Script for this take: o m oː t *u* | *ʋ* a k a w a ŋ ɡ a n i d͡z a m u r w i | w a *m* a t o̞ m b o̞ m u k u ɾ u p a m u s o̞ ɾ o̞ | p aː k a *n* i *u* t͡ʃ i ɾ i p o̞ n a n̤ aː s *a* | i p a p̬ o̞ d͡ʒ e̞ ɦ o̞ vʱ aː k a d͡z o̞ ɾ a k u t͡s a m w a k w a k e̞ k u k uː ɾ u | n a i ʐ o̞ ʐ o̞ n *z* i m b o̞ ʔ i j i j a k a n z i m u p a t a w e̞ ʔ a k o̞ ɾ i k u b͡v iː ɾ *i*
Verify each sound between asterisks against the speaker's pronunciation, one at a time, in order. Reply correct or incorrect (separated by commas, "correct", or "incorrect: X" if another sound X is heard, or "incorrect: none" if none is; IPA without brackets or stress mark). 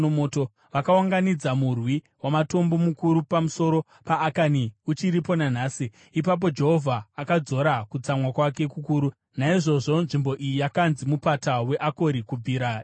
incorrect: o, correct, correct, correct, correct, incorrect: i, incorrect: ʐ, incorrect: a